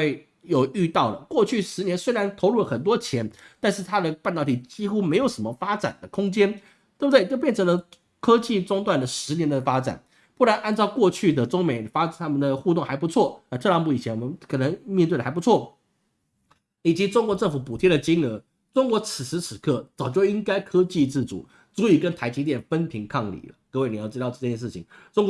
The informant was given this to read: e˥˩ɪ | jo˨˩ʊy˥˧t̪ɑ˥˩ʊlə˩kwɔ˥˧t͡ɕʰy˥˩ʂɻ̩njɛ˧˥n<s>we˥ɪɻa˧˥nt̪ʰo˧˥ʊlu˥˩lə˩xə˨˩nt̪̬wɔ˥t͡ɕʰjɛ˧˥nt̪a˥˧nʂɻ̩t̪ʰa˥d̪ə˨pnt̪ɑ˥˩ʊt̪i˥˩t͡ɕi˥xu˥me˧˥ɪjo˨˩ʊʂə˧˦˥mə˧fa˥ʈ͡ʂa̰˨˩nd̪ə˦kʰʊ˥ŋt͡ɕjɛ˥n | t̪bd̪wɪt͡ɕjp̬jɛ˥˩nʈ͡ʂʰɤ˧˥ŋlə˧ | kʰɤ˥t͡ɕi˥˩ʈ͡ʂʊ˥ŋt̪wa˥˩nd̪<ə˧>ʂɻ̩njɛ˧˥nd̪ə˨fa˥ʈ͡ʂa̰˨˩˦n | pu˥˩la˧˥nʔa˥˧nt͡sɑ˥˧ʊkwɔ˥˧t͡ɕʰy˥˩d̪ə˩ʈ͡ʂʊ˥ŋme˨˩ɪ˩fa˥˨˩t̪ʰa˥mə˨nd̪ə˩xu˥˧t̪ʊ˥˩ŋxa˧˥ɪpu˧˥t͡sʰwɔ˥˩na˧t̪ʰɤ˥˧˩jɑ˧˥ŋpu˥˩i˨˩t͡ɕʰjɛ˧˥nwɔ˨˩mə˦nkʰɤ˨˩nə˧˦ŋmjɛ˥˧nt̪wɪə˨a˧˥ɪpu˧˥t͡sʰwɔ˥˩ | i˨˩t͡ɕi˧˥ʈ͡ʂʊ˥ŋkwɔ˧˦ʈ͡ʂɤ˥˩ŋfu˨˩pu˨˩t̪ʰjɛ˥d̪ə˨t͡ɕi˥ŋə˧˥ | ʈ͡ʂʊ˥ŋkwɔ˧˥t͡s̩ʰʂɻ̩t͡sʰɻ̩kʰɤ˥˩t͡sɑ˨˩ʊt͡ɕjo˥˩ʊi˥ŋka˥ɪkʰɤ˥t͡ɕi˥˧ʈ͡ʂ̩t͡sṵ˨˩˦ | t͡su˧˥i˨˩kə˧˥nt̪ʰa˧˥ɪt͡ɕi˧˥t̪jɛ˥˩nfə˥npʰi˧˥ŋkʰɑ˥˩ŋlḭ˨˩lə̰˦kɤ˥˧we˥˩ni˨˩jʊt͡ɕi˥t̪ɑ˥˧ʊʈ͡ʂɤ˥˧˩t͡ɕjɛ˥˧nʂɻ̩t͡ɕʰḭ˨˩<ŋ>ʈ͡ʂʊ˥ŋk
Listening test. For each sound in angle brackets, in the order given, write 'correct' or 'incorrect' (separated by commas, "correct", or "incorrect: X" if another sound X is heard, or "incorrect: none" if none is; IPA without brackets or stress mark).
correct, incorrect: ə˩, correct